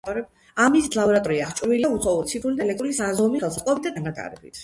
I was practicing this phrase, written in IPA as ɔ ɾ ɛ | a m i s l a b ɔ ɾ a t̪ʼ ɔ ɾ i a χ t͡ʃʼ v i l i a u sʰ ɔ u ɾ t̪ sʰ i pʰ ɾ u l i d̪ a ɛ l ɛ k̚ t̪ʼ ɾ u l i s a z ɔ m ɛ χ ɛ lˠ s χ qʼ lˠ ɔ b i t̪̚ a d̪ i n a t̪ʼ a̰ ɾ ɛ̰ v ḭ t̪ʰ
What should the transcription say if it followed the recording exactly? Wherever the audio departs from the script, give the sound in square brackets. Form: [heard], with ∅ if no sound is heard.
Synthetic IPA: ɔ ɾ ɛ | a m i s l a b ɔ ɾ a t̪ʼ ɔ ɾ i a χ t͡ʃʼ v i l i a u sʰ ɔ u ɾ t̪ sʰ i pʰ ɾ u l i d̪ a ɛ l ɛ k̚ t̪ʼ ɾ u l i s a z ɔ m [i] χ ɛ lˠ s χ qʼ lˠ ɔ b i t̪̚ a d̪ [a] n a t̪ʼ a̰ ɾ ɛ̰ [b] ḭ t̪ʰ